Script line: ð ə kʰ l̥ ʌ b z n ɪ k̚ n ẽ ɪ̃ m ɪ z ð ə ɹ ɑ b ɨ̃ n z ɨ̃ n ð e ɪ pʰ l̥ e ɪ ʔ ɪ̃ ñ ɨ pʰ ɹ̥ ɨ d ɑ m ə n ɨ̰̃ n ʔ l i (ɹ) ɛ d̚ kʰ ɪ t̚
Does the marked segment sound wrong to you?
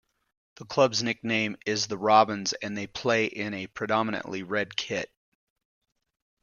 no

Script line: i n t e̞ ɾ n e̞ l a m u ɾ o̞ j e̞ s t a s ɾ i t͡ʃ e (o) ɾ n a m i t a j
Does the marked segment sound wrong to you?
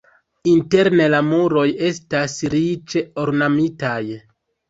no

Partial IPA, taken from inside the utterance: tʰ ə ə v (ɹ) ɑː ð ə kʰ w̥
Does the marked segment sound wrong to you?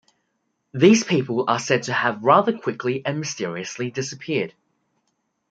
no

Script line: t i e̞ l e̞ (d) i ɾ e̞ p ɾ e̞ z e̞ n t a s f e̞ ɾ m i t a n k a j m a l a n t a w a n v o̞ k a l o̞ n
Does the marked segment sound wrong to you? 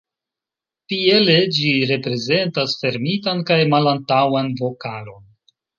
yes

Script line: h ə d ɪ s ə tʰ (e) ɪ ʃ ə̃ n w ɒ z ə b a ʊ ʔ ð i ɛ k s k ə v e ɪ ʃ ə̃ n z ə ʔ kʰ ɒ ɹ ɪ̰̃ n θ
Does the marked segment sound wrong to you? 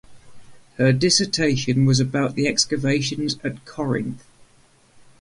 no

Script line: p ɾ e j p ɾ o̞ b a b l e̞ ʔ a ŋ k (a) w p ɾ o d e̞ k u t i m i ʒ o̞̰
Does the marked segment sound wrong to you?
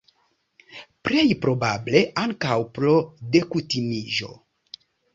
no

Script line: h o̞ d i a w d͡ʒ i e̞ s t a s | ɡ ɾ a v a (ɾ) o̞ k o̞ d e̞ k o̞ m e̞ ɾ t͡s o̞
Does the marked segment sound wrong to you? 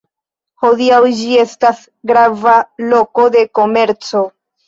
yes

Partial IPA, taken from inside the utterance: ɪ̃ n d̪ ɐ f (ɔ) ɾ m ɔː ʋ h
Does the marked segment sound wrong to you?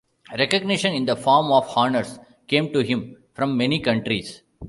yes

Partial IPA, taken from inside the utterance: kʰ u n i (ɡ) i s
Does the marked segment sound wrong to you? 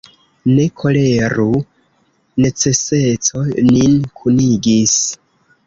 no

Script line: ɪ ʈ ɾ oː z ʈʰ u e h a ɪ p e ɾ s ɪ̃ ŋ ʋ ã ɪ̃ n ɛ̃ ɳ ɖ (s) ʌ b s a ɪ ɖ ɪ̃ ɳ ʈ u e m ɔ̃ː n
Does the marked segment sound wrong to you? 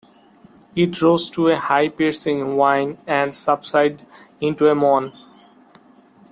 no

